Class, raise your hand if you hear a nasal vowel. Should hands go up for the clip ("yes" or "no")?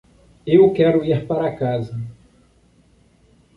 no